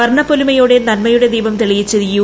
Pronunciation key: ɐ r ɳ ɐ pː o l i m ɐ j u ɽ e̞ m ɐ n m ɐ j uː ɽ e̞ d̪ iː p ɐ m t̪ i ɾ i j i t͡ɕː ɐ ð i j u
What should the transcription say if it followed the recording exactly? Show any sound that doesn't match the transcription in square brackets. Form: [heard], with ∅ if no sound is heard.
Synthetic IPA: ɐ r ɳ ɐ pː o l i m ɐ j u ɽ e̞ [n] ɐ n m ɐ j [u] ɽ e̞ d̪ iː [b] ɐ m t̪ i [ɭ] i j i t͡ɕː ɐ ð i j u